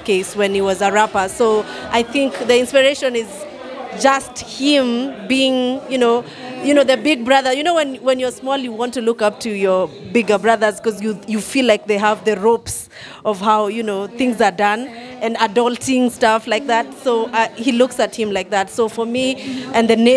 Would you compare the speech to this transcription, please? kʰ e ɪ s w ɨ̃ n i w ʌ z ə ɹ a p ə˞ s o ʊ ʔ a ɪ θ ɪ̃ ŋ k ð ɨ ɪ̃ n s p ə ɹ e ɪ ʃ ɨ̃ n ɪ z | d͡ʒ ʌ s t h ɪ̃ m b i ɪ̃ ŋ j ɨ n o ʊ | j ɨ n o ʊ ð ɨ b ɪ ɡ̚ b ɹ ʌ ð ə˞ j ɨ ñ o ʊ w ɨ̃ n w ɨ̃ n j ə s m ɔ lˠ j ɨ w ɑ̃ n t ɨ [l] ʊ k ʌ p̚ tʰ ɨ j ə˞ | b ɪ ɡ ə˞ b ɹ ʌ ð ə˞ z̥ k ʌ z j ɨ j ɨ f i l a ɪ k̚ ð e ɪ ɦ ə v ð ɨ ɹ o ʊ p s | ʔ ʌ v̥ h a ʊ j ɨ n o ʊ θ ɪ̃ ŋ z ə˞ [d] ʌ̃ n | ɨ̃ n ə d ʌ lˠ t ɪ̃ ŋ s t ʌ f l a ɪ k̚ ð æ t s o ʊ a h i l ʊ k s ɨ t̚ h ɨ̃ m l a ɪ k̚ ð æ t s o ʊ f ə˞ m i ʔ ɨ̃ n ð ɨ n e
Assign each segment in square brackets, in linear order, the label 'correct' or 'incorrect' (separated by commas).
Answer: correct, correct